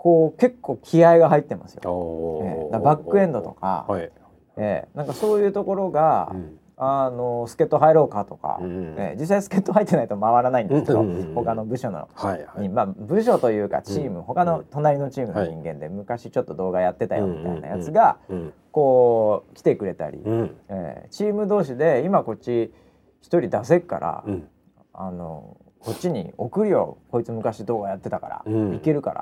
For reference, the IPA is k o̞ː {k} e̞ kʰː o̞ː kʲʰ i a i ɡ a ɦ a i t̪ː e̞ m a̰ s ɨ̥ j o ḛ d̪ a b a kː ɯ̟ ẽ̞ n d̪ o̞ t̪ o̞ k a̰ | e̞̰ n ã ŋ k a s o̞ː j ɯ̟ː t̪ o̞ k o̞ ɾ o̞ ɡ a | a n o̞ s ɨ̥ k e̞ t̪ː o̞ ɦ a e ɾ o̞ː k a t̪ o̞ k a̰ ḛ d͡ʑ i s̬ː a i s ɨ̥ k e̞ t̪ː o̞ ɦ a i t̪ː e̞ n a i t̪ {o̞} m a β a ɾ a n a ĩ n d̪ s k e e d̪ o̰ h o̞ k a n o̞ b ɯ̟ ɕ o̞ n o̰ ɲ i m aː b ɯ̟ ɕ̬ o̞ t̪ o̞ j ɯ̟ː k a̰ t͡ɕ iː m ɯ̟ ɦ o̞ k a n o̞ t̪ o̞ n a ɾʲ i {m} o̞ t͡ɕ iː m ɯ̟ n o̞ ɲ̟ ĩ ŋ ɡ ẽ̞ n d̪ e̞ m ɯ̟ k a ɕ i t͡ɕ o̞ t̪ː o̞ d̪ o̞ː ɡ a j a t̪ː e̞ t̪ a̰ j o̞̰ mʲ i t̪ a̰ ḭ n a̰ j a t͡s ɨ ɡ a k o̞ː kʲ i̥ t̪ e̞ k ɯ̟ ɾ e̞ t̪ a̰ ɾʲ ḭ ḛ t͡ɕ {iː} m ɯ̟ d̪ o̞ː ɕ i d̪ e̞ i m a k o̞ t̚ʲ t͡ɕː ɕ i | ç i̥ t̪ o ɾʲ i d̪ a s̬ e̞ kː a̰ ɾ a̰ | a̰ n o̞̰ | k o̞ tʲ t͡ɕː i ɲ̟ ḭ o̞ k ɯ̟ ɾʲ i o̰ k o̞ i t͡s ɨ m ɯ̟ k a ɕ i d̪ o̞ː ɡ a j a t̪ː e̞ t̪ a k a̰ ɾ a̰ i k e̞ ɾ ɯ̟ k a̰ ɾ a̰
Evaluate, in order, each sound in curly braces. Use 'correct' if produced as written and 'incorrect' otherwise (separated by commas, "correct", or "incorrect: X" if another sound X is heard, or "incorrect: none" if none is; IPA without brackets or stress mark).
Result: correct, correct, incorrect: n, correct